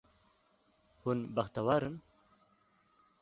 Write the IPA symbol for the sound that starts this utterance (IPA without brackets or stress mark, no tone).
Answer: h